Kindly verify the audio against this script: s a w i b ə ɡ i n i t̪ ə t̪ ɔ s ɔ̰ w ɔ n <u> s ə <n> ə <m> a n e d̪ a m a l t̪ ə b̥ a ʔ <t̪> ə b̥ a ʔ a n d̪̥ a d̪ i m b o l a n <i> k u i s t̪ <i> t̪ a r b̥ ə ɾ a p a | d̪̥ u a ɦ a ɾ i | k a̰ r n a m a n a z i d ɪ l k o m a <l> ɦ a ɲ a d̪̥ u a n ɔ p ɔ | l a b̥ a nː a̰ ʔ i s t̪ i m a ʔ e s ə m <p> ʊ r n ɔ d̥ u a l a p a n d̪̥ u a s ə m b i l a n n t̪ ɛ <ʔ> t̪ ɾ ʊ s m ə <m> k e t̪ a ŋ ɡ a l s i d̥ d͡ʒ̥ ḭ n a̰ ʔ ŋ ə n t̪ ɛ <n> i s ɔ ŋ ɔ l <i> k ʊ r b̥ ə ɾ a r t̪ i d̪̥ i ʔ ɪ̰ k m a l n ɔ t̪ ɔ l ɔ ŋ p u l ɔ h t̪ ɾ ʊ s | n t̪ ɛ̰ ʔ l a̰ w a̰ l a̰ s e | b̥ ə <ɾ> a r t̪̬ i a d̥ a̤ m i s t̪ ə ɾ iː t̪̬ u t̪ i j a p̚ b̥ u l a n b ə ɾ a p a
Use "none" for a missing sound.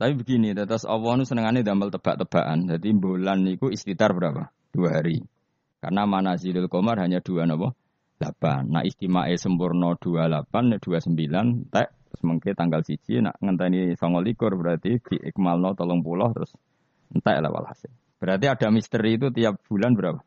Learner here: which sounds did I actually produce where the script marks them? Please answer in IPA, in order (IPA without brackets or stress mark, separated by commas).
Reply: u, n, ŋ, t̪, i, i, r, p, ʔ, ŋ, n, i, ɾ